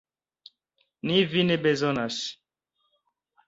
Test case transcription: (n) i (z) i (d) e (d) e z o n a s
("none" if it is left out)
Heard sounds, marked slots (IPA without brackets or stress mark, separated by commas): n, v, n, b